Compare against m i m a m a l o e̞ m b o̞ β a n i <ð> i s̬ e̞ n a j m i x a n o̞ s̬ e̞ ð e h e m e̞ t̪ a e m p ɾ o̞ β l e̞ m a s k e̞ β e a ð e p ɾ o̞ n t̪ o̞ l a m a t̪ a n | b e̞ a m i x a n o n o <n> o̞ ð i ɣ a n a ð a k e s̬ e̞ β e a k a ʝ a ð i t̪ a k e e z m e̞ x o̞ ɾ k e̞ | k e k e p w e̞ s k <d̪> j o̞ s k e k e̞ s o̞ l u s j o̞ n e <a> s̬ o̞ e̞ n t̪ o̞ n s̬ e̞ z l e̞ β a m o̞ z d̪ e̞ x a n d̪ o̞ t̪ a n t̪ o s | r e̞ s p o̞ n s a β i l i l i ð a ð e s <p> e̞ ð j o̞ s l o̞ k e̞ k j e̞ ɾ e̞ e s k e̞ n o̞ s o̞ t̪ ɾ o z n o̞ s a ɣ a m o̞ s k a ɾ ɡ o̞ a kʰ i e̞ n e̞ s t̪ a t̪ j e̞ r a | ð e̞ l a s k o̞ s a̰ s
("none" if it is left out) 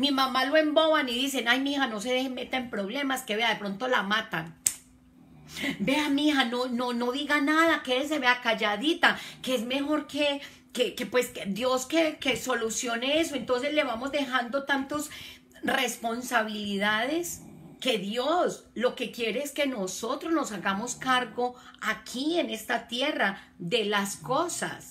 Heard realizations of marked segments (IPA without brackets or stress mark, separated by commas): ð, n, d̪, e, k